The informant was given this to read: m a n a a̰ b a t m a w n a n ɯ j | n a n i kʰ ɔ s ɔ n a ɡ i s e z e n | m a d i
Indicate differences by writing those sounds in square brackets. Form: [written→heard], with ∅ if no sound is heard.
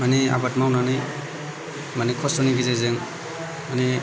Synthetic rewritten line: m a n [a→i] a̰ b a t m a w n a n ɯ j | [n→m] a n i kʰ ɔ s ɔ n [a→i] ɡ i [s→z] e z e [n→ŋ] | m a [d→n] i